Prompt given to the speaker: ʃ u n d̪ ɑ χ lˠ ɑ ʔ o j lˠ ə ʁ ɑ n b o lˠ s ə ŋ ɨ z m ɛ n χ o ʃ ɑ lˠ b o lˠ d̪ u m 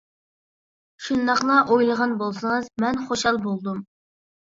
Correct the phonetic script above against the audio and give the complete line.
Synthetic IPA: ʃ u n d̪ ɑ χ lˠ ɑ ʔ o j lˠ ə ʁ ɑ n b o lˠ s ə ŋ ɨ z m ɛ n χ o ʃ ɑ lˠ b o lˠ d̪ u m